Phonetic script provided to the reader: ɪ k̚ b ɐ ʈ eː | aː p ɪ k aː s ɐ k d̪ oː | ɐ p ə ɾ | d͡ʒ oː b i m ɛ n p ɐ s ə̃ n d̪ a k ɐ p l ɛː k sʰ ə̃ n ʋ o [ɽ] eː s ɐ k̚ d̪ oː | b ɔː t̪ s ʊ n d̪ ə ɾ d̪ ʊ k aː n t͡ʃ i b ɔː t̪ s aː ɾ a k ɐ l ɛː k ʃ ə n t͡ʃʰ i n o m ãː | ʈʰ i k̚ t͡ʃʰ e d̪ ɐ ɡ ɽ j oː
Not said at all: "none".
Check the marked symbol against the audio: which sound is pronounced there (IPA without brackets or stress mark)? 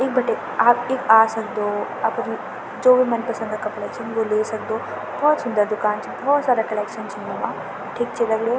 l